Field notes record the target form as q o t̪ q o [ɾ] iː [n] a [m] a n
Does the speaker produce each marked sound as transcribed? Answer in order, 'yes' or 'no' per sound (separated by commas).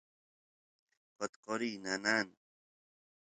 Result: yes, yes, no